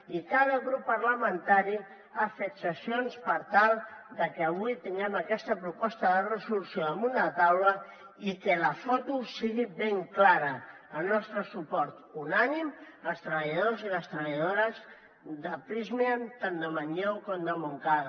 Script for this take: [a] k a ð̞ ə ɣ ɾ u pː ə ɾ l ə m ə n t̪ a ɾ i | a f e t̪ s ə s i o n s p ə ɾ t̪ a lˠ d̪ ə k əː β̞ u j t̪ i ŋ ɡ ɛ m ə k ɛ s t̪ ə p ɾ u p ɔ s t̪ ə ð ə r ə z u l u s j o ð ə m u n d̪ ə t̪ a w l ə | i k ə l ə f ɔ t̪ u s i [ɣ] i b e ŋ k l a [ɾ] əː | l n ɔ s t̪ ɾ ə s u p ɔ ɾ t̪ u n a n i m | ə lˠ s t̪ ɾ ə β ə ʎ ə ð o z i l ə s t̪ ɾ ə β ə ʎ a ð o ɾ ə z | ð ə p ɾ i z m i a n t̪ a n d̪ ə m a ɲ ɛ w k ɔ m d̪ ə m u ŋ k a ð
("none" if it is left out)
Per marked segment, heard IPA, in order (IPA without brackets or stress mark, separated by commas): i, ɣ, ɾ